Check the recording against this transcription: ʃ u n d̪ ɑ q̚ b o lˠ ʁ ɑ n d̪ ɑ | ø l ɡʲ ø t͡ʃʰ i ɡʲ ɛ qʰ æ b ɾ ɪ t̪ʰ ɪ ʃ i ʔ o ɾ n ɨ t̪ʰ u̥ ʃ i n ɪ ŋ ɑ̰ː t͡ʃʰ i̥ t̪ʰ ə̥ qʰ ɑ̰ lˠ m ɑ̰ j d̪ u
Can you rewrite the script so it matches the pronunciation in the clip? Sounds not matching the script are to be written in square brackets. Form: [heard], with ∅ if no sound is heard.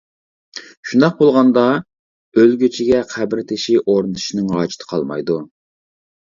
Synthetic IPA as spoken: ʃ u n d̪ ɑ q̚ b o lˠ ʁ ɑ n d̪ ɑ | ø l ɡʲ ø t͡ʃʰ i ɡʲ ɛ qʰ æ b ɾ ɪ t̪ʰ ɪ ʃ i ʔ o ɾ n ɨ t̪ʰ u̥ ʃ i n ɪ ŋ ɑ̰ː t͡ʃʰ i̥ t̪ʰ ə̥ qʰ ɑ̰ lˠ m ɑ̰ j d̪ u